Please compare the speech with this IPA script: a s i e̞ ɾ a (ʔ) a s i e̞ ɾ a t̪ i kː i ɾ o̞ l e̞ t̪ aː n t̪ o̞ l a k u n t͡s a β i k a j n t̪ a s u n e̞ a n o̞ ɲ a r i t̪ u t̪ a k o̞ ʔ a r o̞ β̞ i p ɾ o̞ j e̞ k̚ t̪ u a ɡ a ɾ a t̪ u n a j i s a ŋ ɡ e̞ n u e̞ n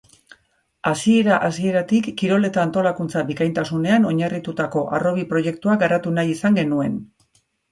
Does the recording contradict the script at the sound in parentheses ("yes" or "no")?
no